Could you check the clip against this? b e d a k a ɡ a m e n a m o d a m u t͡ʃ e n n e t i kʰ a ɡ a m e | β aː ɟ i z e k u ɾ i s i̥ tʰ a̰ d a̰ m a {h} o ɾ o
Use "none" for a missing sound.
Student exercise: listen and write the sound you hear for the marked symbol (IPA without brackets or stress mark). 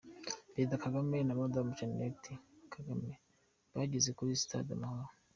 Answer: h